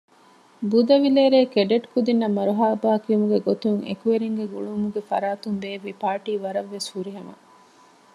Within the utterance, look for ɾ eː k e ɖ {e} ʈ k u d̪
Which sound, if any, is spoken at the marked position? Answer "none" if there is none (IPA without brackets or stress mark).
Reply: e